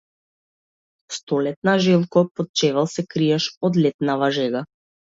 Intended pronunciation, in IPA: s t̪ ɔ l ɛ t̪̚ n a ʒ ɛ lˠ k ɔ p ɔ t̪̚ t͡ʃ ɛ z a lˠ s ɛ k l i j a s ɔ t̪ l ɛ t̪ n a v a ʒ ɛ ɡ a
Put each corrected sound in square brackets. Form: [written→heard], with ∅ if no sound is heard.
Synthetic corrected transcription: s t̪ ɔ l ɛ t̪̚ n a ʒ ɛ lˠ k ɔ p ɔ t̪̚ t͡ʃ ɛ [z→v] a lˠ s ɛ k [l→ɾ] i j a [s→ʃ] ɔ [t̪→d̪] l ɛ t̪ n a v a ʒ ɛ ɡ a